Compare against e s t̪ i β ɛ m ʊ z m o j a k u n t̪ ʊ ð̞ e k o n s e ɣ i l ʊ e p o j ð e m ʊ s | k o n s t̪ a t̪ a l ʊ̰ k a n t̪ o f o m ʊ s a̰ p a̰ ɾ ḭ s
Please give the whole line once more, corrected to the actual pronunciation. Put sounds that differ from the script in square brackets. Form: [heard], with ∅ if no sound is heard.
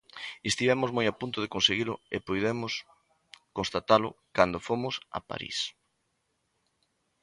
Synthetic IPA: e s t̪ i β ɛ m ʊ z m o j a [p] u n t̪ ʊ ð̞ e k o n s e ɣ i l ʊ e p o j ð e m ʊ s | k o n s t̪ a t̪ a l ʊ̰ k a n [d̪] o f o m ʊ s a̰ p a̰ ɾ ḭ s